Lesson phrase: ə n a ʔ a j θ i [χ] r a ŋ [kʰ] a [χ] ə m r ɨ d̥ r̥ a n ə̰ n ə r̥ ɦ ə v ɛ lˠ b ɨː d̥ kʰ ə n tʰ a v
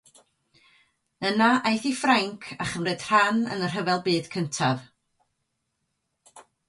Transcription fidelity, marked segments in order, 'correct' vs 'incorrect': incorrect: f, correct, correct

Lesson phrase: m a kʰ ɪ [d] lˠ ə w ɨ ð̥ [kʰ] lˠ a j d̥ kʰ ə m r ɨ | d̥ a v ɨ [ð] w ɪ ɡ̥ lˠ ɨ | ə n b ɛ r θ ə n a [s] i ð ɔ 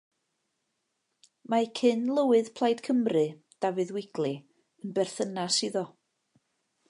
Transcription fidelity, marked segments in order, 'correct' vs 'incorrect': incorrect: n, incorrect: pʰ, correct, correct

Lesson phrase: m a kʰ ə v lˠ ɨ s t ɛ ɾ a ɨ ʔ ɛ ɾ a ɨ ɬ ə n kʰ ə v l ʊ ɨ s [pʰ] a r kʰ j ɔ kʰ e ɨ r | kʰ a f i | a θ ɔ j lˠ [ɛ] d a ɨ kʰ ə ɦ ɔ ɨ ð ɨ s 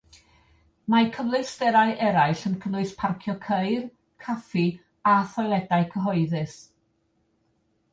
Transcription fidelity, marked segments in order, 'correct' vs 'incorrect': correct, correct

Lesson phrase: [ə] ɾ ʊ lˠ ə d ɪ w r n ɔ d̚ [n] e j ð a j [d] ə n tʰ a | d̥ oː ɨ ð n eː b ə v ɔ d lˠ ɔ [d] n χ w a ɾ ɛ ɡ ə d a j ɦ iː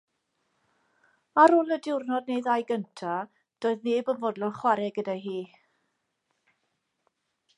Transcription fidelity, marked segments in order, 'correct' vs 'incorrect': incorrect: a, correct, incorrect: ɡ, incorrect: none

